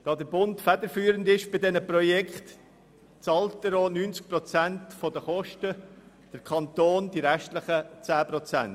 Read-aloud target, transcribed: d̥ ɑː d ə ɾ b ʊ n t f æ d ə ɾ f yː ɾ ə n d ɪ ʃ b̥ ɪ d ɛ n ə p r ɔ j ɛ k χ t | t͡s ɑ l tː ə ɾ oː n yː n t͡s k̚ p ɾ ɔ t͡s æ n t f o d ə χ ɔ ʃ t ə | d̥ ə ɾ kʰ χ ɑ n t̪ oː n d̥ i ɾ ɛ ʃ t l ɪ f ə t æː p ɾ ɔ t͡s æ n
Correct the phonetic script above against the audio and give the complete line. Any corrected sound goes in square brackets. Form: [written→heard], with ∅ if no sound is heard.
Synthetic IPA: d̥ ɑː d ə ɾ b ʊ n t f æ d ə ɾ f yː ɾ ə n d ɪ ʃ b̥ ɪ d ɛ n ə p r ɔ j ɛ k χ t | t͡s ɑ l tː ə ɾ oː n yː n t͡s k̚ p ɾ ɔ t͡s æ n t f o d ə χ ɔ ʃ t ə | d̥ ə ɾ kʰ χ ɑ n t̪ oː n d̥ i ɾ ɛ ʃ t l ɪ [f→χ] ə [t→t͡s] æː p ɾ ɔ t͡s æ n